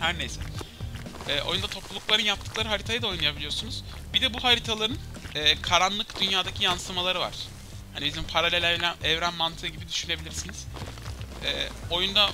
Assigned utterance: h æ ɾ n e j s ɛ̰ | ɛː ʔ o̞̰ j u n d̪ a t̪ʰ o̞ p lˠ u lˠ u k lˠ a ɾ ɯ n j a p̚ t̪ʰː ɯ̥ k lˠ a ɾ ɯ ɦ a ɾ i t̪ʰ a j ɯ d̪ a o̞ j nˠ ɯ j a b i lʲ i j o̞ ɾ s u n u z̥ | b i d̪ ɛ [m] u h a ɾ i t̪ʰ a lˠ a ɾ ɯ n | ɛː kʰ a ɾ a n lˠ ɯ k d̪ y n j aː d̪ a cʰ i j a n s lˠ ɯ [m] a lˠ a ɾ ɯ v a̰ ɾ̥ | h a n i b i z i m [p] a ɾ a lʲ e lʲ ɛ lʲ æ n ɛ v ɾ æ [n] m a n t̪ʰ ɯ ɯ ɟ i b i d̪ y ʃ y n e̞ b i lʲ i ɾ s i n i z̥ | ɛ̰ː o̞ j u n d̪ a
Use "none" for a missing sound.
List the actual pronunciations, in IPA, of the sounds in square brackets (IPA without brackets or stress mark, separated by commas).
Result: b, m, pʰ, n